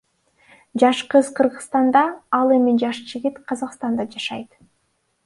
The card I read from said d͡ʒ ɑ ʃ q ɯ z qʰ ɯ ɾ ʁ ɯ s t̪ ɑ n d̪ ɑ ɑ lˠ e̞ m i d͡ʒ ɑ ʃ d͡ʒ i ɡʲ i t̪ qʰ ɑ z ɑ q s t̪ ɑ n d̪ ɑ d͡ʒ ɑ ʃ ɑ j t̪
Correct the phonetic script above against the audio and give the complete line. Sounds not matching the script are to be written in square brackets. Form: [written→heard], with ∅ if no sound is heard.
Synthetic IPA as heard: d͡ʒ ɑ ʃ q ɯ z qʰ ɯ ɾ ʁ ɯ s t̪ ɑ n d̪ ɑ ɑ lˠ e̞ m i d͡ʒ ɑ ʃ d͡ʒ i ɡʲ i t̪ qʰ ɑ z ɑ q s t̪ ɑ n d̪ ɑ d͡ʒ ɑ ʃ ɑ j t̪